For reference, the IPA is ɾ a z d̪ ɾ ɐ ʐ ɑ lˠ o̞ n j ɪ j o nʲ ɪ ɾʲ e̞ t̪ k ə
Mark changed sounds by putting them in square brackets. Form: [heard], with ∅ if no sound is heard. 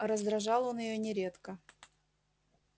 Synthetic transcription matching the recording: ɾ [ə] z d̪ ɾ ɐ ʐ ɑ lˠ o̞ n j ɪ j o nʲ ɪ ɾʲ e̞ t̪ k ə